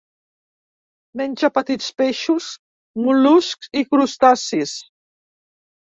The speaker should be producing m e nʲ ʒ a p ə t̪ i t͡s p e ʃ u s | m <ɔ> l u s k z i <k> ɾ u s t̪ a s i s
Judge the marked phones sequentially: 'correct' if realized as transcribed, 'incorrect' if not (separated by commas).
incorrect, correct